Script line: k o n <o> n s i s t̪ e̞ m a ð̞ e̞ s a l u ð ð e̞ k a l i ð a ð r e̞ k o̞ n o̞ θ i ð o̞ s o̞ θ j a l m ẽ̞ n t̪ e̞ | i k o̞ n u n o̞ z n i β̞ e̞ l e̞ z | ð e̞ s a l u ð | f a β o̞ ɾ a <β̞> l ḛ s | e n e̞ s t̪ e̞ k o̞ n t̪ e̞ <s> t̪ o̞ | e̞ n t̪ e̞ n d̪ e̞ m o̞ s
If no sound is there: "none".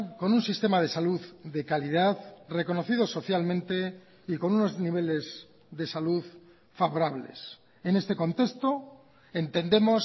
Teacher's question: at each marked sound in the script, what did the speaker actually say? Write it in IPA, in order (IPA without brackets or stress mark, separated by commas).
u, β̞, s